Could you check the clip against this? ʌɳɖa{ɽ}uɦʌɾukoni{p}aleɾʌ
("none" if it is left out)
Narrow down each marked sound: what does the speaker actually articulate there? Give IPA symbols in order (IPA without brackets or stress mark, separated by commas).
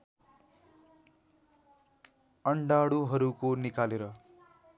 ɽ, k